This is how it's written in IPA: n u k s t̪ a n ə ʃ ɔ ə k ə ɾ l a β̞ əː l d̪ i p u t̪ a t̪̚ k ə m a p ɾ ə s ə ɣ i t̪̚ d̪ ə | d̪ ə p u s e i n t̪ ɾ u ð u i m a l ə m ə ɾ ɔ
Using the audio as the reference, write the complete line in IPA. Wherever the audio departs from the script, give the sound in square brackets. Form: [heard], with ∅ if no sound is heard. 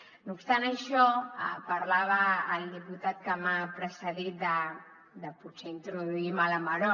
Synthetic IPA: n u [p] s t̪ a n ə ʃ ɔ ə [p] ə ɾ l a β̞ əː l d̪ i p u t̪ a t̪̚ k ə m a p ɾ ə s ə [ð] i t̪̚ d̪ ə | d̪ ə p u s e i n t̪ ɾ u ð u i m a l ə m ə ɾ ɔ